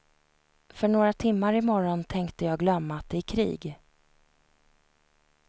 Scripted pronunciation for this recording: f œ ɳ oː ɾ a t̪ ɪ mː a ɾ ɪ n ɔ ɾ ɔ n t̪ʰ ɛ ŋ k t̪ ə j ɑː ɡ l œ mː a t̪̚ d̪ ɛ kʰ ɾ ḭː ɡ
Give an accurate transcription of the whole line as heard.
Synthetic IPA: f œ ɳ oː ɾ a t̪ʰ ɪ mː a ɾ ɪ m ɔ ɾ ɔ n t̪ʰ ɛ ŋ k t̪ ə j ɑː ɡ l œ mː a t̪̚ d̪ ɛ kʰ ɾ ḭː ɡ